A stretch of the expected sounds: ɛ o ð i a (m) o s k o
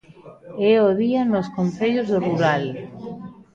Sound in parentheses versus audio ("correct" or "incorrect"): incorrect